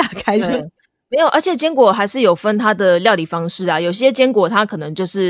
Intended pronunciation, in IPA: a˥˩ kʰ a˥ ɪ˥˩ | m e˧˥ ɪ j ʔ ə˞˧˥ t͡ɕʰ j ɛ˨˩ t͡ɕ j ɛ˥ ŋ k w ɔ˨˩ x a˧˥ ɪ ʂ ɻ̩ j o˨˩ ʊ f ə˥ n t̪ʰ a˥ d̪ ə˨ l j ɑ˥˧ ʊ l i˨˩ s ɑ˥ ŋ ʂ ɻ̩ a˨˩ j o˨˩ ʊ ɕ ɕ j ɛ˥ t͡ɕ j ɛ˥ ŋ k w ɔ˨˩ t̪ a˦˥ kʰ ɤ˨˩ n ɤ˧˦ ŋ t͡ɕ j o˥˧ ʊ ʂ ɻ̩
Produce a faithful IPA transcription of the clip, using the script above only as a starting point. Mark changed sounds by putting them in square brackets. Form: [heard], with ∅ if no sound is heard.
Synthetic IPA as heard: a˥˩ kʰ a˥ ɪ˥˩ | m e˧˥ ɪ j ʔ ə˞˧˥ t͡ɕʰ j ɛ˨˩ t͡ɕ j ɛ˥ ŋ k w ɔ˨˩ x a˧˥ ɪ ʂ ɻ̩ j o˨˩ ʊ f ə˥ n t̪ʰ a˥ d̪ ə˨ l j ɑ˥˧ ʊ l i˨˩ [f] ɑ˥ ŋ ʂ ɻ̩ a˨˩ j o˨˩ ʊ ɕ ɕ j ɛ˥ t͡ɕ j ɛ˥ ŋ k w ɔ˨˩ [t̪ʰ] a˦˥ kʰ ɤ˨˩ n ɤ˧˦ ŋ t͡ɕ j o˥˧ ʊ ʂ ɻ̩